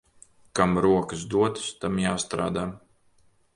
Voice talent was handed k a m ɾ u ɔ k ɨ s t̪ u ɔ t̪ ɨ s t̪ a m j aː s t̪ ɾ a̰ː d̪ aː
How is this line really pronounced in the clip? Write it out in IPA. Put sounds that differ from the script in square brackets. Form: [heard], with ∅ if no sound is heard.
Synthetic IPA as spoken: k a m ɾ u ɔ k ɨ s [d̪] u ɔ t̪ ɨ s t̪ a m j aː s t̪ ɾ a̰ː d̪ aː